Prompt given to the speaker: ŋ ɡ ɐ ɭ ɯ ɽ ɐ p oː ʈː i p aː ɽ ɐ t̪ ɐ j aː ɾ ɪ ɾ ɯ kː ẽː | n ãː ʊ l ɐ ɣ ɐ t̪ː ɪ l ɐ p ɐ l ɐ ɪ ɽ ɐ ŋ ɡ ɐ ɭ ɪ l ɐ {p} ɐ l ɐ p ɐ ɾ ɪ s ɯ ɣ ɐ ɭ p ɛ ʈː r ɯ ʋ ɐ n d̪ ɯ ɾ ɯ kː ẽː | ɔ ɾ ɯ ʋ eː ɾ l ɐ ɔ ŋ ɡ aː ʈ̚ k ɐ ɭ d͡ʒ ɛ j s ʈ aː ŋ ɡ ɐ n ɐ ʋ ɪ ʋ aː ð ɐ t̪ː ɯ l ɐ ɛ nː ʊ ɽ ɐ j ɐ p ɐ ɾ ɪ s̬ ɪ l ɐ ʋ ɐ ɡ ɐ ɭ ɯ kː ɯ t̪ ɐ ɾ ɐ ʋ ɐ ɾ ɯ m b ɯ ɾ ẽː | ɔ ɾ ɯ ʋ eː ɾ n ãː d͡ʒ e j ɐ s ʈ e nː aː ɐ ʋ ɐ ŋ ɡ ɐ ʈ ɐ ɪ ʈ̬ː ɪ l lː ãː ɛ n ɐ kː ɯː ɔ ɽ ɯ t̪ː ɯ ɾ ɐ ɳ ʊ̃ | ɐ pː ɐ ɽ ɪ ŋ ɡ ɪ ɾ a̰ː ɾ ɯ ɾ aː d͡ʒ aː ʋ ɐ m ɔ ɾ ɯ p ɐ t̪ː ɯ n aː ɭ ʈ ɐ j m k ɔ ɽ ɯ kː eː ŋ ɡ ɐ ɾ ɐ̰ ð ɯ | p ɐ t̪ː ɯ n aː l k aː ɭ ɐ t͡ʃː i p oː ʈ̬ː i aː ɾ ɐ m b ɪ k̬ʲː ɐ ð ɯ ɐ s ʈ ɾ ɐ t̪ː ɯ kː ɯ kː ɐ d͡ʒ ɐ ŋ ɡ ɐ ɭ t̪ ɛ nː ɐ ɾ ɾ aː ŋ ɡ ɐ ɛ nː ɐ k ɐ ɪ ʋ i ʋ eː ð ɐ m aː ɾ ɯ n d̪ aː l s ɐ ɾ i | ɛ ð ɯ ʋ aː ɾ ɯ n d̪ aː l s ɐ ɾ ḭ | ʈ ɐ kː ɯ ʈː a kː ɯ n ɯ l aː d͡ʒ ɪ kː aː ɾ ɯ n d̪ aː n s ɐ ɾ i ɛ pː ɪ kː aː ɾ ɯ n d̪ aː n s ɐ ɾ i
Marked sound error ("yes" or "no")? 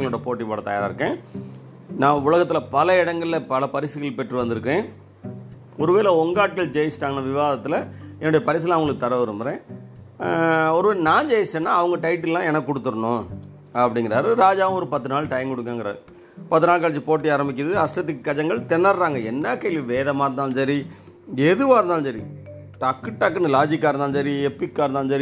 no